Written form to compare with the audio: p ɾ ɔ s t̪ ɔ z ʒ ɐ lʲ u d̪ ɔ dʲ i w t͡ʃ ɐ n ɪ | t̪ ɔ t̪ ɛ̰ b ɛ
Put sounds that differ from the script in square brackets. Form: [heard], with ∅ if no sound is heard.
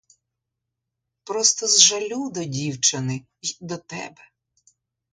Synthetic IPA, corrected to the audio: p ɾ ɔ s t̪ ɔ z ʒ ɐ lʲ u d̪ ɔ dʲ i w t͡ʃ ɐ n ɪ | [d̪] ɔ t̪ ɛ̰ b ɛ